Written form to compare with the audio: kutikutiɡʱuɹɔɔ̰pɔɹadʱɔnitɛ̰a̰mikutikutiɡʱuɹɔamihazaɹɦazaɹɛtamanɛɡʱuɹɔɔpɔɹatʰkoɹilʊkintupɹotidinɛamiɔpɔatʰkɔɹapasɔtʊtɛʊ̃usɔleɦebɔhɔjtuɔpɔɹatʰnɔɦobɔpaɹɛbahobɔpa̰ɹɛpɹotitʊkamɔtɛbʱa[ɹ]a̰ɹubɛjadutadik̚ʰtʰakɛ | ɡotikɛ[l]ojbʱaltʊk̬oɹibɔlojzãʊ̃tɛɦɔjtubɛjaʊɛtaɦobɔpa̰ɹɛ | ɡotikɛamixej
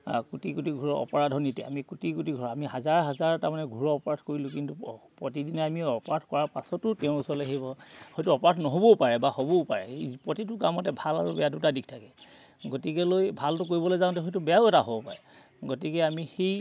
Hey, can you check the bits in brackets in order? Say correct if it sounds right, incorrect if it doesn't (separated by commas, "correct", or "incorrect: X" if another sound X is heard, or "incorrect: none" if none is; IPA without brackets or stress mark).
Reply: incorrect: l, correct